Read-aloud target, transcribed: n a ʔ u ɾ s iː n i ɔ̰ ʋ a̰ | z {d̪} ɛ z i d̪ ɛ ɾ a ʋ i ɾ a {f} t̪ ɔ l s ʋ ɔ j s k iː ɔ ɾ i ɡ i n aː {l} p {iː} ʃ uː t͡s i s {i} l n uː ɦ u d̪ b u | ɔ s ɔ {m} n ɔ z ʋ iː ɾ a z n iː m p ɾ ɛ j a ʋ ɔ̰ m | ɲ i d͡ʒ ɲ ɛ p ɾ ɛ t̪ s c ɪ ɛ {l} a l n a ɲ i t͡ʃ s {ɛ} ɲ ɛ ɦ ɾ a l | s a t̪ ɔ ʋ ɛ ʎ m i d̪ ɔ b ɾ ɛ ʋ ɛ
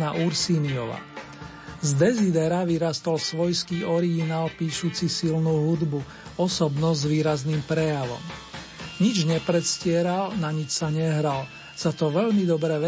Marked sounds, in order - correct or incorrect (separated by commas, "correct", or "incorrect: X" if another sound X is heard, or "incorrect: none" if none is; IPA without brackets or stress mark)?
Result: correct, incorrect: s, correct, correct, correct, incorrect: b, incorrect: ɾ, incorrect: a